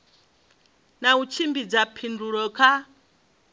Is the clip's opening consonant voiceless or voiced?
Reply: voiced